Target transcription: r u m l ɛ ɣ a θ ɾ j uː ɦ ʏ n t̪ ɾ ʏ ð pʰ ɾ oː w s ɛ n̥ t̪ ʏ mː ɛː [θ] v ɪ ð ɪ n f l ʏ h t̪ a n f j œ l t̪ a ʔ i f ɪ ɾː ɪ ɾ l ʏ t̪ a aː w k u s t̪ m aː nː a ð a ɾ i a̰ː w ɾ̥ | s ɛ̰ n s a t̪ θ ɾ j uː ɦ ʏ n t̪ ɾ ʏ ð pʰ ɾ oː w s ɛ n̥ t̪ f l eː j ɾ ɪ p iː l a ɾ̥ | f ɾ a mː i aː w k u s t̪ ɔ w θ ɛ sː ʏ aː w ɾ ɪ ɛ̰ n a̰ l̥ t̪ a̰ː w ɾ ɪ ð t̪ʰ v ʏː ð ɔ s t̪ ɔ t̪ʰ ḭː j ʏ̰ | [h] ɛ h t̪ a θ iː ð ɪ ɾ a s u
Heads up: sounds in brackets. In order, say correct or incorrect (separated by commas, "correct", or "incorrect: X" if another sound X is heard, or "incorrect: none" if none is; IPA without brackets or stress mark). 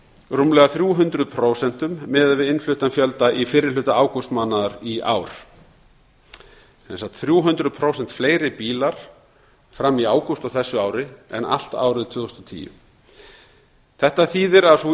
incorrect: ð, incorrect: θ